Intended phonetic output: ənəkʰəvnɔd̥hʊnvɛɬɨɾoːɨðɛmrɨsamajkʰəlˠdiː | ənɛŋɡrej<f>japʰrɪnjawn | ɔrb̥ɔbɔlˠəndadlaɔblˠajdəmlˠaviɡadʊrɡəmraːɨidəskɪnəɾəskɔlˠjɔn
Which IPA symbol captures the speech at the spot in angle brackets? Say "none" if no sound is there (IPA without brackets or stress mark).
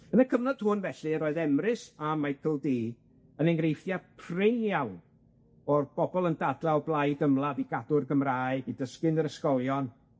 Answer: f